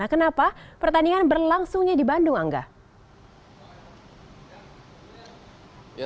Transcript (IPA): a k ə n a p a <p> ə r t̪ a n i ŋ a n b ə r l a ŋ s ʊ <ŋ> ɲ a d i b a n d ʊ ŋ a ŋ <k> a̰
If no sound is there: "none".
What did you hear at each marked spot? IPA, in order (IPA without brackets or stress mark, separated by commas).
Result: p, ŋ, ɡ